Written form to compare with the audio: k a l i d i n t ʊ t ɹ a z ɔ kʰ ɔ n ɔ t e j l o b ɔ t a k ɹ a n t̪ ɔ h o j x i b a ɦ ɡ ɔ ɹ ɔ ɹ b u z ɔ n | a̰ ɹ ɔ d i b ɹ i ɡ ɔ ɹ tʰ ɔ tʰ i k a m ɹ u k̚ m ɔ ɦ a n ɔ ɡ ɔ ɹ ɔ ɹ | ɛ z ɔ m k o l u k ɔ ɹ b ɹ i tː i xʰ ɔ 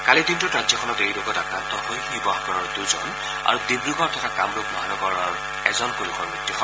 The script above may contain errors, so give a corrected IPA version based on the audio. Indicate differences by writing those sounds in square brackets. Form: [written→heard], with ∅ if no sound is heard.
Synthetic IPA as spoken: k a l i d i n t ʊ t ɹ a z ɔ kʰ ɔ n ɔ t e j l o [b→ɡ] ɔ t a k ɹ a n t̪ ɔ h o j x i b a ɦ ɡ ɔ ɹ ɔ ɹ [b→d] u z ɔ n | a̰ ɹ [ɔ→u] d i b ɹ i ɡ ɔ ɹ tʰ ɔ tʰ [i→a] k a m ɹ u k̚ m ɔ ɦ a n ɔ ɡ ɔ ɹ ɔ ɹ | ɛ z ɔ [m→n] k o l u k ɔ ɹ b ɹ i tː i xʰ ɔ